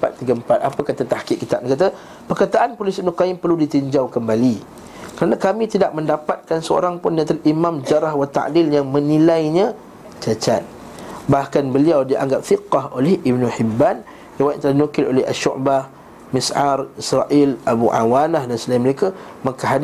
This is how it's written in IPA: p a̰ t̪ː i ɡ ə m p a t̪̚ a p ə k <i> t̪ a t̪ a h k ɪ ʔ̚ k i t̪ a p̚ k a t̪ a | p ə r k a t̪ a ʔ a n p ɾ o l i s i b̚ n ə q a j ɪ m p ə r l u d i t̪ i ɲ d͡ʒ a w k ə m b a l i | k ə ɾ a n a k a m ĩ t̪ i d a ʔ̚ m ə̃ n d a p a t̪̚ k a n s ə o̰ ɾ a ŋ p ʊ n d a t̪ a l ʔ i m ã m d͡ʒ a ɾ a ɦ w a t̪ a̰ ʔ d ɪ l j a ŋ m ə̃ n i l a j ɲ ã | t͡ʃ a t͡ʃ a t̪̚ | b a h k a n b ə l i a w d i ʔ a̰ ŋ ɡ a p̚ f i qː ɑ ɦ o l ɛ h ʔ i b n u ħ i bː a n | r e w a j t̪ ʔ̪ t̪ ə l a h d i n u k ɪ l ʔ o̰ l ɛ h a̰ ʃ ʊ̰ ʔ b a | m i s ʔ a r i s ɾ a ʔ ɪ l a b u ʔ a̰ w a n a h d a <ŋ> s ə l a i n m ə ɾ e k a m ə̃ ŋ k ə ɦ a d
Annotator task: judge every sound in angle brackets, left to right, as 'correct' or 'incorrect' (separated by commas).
incorrect, incorrect